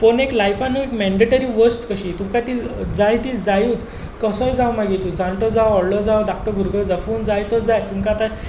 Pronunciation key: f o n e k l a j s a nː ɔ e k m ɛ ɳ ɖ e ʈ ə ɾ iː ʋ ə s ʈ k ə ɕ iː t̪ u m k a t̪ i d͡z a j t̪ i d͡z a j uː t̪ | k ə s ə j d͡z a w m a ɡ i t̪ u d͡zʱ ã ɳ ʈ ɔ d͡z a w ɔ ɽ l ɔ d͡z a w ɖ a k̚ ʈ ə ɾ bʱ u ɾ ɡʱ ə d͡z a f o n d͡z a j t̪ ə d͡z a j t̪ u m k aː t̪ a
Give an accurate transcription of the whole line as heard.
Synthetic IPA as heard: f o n e k l a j f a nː u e k m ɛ ɳ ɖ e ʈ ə ɾ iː ʋ ə s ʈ k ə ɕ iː t̪ u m k a t̪ i d͡z a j t̪ i d͡z a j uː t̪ | k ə s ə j d͡z a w m a ɡ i t̪ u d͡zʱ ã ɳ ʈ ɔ d͡z a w ɔ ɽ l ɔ d͡z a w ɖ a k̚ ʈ ə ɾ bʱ u ɾ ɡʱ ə d͡z a f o n d͡z a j t̪ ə d͡z a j t̪ u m k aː t̪ a